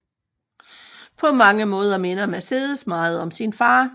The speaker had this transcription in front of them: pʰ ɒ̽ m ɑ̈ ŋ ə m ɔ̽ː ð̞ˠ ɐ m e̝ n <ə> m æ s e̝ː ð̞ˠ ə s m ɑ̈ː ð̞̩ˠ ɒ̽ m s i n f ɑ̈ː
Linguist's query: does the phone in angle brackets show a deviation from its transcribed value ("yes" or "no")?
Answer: yes